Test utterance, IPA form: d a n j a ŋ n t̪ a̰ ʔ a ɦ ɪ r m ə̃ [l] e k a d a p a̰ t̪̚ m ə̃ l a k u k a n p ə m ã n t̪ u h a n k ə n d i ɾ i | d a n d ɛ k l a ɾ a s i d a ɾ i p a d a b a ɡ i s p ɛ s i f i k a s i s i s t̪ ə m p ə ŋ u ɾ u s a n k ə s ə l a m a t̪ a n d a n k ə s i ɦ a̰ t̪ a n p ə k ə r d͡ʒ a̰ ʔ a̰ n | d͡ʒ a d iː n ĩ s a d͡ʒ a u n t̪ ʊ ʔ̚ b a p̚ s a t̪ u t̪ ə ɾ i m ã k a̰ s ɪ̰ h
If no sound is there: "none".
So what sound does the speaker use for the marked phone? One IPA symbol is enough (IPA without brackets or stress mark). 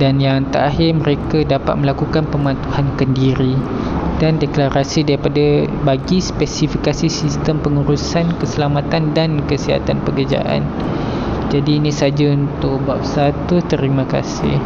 ɾ